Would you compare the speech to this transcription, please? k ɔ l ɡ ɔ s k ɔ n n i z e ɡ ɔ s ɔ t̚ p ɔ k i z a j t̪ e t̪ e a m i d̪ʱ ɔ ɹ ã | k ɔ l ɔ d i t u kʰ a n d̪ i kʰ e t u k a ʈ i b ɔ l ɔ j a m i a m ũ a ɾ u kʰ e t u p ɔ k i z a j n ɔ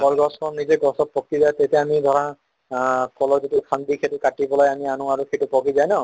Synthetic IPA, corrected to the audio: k ɔ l ɡ ɔ s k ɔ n n i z e ɡ ɔ s ɔ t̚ p ɔ k i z a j t̪ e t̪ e a m i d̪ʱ ɔ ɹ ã | k ɔ l ɔ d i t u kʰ a n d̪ i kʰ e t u k a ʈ i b ɔ l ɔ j a m i a n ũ a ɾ u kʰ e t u p ɔ k i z a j n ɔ

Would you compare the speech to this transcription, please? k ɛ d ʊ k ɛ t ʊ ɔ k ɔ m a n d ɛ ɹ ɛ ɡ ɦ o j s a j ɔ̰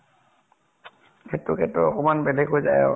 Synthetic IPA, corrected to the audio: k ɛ t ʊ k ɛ t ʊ ɔ k ɔ m a n b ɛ l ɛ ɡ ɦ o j z a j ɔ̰

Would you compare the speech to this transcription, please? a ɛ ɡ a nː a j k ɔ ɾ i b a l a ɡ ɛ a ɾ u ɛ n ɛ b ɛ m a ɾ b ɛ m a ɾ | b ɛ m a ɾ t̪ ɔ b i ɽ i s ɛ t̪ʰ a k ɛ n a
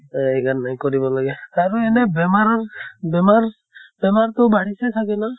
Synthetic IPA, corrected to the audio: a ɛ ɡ a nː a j k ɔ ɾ i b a l a ɡ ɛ a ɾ u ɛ n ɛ b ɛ m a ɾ b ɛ m a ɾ | b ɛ m a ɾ t̪ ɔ b a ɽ i s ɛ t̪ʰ a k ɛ n a

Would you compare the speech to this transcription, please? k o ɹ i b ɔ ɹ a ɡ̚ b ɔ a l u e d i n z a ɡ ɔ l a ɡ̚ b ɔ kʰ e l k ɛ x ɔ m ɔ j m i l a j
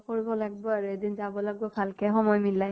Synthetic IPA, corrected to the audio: k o ɹ i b ɔ l a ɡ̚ b ɔ a ɹ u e d i n z a b ɔ l a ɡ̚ b ɔ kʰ a l k ɛ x ɔ m ɔ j m i l a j

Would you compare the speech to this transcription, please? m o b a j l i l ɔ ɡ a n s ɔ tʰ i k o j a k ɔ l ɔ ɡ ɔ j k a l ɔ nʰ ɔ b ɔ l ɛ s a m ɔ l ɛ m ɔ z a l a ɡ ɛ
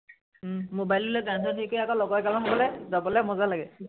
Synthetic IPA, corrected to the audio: m o b a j l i l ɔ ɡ a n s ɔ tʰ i k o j a k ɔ l ɔ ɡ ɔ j k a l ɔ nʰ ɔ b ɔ l ɛ z a b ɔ l ɛ m ɔ z a l a ɡ ɛ

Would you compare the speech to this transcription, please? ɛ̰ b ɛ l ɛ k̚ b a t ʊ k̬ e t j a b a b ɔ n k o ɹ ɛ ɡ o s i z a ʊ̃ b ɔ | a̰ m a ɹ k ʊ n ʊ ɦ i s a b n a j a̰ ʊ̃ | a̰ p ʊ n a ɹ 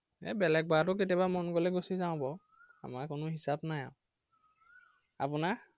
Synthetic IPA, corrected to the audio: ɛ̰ b ɛ l ɛ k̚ b a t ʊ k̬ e t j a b a m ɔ n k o l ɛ ɡ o s i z a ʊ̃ b ɔ | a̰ m a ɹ k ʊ n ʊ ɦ i s a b n a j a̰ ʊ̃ | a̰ p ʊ n a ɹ

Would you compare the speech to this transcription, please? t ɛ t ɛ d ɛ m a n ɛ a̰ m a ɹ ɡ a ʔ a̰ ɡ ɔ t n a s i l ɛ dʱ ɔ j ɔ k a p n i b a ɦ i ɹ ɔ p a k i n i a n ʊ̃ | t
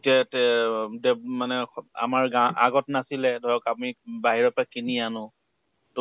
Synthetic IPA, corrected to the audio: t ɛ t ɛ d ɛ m a n ɛ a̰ m a ɹ ɡ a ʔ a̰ ɡ ɔ t n a s i l ɛ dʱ ɔ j ɔ k a p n i b a ɦ i ɹ ɔ p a k i n i a n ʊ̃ | t

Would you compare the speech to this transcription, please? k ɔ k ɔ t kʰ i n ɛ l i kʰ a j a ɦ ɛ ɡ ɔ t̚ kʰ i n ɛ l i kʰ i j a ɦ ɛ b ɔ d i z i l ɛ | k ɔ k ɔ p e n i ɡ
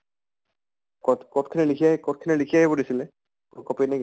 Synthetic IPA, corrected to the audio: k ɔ k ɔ t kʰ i n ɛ l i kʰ i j a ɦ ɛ k ɔ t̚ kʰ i n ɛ l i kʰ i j a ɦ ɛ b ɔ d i s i l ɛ | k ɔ k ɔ p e n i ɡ

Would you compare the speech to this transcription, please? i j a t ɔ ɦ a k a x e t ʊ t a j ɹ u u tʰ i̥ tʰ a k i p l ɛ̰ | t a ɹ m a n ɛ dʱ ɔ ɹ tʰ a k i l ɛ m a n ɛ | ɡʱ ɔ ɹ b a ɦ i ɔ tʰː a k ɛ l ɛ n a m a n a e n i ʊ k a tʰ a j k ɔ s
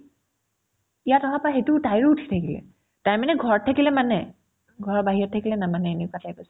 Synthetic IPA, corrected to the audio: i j a t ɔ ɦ a p a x e t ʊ t a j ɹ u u tʰ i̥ tʰ a k i l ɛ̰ | t a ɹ m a n ɛ ɡʱ ɔ ɹ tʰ a k i l ɛ m a n ɛ | ɡʱ ɔ ɹ b a ɦ i ɔ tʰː a k i l ɛ n a m a n ɛ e n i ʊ k a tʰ a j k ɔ s

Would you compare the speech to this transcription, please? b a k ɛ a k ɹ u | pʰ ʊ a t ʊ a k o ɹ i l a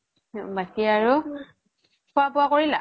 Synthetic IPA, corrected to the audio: b a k i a ɹ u | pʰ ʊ a p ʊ a k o ɹ i l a

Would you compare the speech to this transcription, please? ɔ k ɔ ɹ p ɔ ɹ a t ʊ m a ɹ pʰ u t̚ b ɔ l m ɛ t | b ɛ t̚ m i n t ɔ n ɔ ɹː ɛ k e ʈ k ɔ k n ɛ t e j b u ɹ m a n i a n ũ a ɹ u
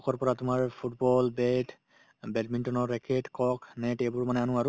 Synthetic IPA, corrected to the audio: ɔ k ɔ ɹ p ɔ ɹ a t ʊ m a ɹ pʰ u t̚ b ɔ l b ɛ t | b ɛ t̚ m i n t ɔ n ɔ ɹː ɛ k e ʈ k ɔ k n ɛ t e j b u ɹ m a n ɛ a n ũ a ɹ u

